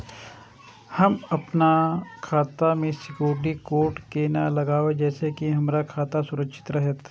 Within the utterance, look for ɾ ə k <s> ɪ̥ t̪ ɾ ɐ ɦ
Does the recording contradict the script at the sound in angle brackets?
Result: yes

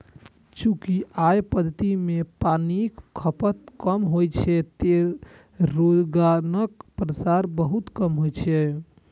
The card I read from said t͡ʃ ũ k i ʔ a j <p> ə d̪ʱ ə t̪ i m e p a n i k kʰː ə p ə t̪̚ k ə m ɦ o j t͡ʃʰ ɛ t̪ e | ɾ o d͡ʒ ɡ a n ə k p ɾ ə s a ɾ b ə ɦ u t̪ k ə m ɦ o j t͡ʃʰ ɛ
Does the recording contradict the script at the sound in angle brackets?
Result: no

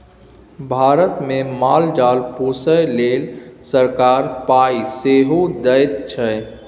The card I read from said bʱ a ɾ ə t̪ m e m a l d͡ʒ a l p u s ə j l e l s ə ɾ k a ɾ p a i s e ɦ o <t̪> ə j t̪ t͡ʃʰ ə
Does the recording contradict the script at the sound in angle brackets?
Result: yes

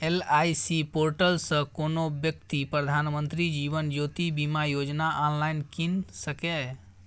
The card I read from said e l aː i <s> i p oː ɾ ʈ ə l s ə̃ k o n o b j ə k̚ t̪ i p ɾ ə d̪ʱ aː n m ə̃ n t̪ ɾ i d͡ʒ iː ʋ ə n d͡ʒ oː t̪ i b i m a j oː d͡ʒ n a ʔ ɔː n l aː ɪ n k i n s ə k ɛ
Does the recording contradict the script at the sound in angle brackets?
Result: no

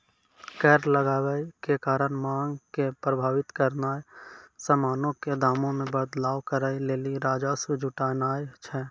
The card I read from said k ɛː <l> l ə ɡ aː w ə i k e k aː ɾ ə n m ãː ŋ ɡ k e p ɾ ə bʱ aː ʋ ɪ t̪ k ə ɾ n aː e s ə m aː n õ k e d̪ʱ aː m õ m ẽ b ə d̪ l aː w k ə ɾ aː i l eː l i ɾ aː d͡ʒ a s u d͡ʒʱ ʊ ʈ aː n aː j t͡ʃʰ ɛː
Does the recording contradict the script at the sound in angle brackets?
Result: yes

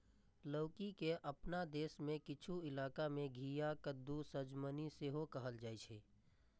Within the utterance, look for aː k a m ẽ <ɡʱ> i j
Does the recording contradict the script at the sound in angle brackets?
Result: no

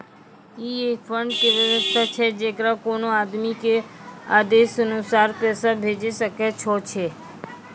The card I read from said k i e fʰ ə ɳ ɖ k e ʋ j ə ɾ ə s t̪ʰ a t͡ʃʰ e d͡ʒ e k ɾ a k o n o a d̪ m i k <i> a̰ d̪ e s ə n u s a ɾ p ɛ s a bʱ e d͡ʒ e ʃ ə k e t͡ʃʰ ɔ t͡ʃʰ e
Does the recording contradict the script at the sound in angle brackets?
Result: yes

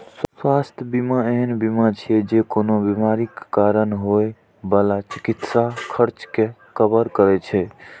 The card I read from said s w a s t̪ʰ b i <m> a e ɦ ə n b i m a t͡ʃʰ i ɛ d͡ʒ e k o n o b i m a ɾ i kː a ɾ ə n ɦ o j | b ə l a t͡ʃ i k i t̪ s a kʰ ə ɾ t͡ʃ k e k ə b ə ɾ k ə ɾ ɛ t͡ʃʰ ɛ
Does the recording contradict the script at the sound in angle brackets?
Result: no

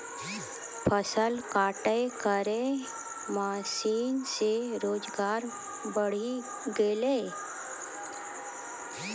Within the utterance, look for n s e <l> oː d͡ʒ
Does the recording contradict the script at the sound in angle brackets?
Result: yes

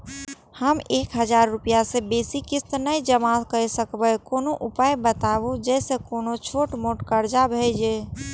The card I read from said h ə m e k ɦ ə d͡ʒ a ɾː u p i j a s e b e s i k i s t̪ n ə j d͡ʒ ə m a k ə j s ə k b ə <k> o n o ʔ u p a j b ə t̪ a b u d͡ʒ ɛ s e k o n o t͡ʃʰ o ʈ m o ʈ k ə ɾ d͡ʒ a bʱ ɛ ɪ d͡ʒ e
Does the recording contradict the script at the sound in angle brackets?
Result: no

